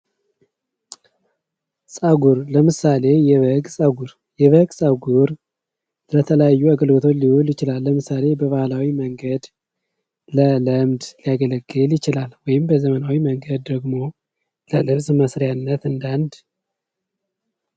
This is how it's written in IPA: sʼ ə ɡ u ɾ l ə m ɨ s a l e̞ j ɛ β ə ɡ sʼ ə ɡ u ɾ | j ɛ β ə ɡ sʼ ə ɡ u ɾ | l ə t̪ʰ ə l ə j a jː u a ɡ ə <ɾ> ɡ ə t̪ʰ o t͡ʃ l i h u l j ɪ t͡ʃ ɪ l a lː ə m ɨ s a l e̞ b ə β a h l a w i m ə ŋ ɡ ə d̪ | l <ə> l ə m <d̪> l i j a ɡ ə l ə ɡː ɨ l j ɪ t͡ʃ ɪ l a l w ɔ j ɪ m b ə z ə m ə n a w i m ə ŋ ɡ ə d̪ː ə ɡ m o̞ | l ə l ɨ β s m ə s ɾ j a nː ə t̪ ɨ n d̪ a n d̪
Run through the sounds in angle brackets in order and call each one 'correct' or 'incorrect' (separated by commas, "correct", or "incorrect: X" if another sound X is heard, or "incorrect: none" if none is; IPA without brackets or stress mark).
incorrect: l, correct, correct